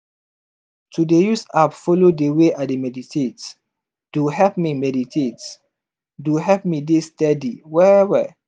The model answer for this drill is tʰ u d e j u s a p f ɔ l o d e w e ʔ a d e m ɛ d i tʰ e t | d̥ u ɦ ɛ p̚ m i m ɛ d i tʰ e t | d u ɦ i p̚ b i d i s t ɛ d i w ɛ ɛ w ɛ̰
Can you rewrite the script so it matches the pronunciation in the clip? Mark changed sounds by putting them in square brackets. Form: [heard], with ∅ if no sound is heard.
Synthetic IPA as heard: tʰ u d e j u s a p f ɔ l o d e w e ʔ a d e m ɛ d i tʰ e t | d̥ u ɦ ɛ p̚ m i m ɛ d i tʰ e t | d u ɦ [ɛ] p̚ [m] i d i s t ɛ d i w ɛ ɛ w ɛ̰